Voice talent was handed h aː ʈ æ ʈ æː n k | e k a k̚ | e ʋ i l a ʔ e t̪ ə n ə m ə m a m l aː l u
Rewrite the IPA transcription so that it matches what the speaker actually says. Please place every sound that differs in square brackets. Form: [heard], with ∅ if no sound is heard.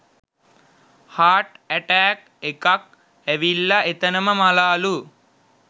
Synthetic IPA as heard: h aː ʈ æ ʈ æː [∅] k | e k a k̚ | [æ] ʋ i [lː] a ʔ e t̪ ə n ə m ə m a [∅] l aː l u